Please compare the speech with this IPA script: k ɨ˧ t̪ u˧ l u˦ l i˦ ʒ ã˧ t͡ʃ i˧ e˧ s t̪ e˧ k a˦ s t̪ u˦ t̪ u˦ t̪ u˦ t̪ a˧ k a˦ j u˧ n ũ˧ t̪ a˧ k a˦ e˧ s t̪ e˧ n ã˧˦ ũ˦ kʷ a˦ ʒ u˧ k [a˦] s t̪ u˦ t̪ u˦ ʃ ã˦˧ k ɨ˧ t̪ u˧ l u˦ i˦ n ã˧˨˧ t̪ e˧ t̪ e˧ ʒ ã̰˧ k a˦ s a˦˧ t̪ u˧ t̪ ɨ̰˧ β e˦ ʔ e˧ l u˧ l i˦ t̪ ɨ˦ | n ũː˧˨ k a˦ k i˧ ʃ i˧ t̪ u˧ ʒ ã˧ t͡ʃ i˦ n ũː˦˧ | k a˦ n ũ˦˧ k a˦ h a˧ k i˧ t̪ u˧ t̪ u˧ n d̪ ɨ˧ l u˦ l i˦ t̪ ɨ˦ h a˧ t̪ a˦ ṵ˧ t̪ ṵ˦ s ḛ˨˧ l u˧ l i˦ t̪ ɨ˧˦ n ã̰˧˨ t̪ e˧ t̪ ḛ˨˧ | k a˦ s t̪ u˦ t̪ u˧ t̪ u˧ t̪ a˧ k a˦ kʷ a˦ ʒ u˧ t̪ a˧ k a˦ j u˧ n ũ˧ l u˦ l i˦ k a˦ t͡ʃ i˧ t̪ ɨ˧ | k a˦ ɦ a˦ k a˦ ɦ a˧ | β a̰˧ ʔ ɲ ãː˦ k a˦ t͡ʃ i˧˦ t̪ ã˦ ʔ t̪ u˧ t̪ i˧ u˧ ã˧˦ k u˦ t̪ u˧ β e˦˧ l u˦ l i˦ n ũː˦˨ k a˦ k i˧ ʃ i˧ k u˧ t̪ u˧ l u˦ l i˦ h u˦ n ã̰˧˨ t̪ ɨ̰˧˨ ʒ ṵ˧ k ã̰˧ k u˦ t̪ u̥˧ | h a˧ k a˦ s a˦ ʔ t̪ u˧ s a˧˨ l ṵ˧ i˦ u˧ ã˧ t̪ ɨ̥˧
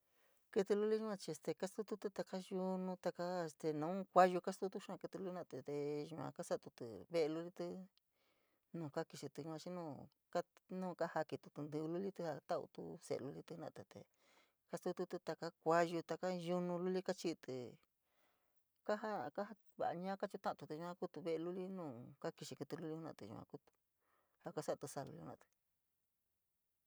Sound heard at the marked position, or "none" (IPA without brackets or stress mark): a˦